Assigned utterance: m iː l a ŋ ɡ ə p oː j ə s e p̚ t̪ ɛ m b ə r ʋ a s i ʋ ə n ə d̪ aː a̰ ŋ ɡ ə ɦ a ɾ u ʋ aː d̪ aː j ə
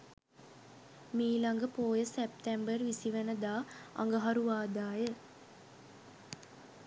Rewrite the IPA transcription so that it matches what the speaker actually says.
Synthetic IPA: m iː l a ŋ ɡ ə p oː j ə s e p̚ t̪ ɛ m b ə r ʋ i s i ʋ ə n ə d̪ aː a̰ ŋ ɡ ə ɦ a ɾ u ʋ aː d̪ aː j ə